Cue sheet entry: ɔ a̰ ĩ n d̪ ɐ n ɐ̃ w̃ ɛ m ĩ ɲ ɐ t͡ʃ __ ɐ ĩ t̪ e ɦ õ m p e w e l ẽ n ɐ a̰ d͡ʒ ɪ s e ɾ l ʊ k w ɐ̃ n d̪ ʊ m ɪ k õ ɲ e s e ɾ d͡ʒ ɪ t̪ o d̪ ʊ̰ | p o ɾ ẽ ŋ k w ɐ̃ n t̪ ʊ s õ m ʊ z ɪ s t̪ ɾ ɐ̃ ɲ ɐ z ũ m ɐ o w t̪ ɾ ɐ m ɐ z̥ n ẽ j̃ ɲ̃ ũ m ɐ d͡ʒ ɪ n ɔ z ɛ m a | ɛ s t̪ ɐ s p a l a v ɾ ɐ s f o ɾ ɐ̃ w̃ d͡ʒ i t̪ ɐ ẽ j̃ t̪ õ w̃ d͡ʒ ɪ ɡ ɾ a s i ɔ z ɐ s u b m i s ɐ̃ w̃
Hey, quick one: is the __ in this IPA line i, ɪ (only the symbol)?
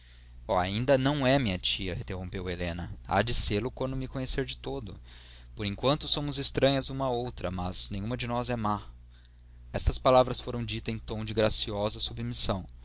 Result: i